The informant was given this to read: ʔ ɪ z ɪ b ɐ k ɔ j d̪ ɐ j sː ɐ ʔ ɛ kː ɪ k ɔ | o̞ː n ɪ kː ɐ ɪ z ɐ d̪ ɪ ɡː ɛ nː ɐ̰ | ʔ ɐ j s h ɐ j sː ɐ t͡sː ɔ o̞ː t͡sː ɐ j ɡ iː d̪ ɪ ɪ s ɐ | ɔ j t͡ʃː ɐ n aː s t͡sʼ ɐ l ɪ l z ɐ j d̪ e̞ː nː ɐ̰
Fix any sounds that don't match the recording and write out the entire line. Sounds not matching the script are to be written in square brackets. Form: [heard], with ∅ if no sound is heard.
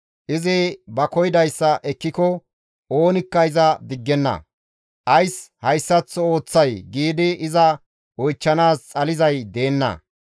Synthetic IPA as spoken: ʔ ɪ z ɪ b ɐ k ɔ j d̪ ɐ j sː ɐ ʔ ɛ kː ɪ k ɔ | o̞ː n ɪ kː ɐ ɪ z ɐ d̪ ɪ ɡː ɛ nː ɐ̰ | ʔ ɐ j s h ɐ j sː ɐ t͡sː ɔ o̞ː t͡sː ɐ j ɡ iː d̪ ɪ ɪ [z] ɐ | ɔ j t͡ʃː ɐ n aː s t͡sʼ ɐ l ɪ [∅] z ɐ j d̪ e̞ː nː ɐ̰